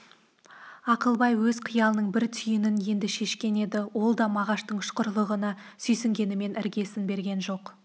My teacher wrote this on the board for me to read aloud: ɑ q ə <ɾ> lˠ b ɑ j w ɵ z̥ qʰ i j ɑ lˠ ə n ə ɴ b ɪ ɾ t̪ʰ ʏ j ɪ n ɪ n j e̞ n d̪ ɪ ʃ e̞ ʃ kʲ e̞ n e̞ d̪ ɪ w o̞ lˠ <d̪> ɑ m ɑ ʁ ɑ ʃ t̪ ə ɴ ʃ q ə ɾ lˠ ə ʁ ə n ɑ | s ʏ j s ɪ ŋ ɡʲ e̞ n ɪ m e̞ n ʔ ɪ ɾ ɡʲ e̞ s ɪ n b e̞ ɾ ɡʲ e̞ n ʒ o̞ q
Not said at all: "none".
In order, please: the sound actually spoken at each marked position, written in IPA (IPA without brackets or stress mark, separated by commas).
none, d̪